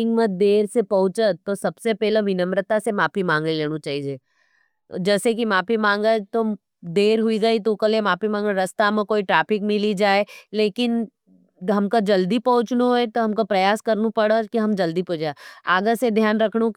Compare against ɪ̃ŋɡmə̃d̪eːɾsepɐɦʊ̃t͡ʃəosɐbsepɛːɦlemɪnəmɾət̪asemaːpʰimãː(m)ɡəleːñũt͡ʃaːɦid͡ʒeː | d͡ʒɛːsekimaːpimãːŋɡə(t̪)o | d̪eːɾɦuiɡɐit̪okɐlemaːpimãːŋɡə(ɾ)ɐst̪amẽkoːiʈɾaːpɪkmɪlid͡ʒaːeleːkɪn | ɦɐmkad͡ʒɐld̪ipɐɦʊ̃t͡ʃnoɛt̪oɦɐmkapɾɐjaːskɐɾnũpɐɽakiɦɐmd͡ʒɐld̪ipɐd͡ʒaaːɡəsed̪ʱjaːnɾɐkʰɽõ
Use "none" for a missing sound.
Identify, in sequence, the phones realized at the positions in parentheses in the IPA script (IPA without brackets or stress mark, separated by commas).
ŋ, t̪, ɾ